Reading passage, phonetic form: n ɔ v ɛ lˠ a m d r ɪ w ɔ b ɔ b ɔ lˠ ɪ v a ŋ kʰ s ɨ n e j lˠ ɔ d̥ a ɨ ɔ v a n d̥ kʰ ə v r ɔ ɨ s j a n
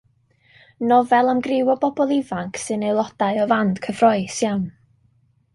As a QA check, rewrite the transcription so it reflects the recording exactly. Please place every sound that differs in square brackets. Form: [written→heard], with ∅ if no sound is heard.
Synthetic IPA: n ɔ v ɛ lˠ a m [d→ɡ] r ɪ w ɔ b ɔ b ɔ lˠ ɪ v a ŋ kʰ s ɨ n e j lˠ ɔ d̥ a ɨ ɔ v a n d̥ kʰ ə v r ɔ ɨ s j a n